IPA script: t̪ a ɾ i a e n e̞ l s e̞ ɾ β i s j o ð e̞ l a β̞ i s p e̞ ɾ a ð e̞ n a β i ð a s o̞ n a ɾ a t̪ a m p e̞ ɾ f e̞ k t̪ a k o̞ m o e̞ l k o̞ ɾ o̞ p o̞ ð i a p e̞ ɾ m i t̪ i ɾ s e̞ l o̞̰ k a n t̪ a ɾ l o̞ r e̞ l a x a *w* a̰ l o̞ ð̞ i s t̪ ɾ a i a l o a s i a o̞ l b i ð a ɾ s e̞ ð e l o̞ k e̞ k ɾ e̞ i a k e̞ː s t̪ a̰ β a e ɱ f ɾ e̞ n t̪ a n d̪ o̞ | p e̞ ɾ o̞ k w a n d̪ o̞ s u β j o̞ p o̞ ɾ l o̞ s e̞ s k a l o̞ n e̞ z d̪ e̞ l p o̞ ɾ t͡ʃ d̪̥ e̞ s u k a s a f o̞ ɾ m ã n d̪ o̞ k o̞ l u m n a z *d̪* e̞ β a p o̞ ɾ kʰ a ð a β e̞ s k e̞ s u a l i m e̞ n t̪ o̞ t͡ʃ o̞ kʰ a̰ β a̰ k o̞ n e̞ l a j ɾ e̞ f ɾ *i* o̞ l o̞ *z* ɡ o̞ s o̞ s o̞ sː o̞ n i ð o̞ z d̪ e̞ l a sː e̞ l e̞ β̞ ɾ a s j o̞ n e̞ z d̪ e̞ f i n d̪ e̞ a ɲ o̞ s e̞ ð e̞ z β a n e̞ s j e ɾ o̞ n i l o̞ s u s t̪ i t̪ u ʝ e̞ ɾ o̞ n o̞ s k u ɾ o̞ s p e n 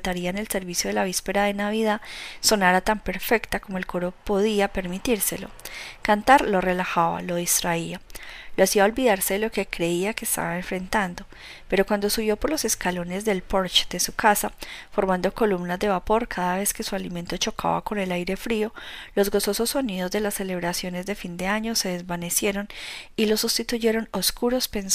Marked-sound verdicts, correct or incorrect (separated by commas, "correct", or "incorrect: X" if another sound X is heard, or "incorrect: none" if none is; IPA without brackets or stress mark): incorrect: β, correct, correct, correct